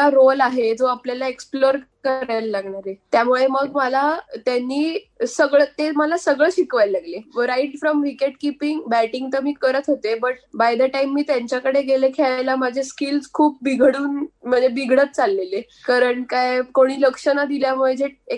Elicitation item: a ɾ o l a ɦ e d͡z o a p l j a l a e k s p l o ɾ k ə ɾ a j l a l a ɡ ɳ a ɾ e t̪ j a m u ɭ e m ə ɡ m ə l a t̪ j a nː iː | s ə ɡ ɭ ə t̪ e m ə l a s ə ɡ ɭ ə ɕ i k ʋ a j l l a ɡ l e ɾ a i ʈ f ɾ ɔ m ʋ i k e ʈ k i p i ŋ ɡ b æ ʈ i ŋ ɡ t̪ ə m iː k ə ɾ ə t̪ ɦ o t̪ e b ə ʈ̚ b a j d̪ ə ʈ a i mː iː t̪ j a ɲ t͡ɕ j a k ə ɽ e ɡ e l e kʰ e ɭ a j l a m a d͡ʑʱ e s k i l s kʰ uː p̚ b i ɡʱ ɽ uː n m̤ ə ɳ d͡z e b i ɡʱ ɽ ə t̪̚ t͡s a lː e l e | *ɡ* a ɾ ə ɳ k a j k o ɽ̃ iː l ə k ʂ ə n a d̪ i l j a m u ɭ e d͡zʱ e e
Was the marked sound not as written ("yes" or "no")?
yes